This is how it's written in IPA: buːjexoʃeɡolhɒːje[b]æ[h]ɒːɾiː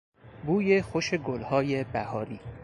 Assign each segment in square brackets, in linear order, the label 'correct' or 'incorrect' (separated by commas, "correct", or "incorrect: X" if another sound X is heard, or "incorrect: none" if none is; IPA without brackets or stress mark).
correct, correct